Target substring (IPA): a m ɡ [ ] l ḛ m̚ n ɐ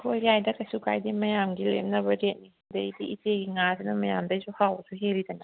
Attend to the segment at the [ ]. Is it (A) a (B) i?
B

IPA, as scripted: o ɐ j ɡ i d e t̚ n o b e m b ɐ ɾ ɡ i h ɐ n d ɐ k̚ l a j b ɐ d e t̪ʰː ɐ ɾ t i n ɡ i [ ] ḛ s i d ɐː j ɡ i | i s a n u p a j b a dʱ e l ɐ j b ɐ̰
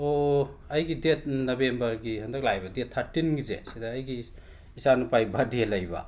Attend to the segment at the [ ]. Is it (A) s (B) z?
B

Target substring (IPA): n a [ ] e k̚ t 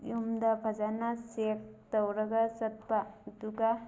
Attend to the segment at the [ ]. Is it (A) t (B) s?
B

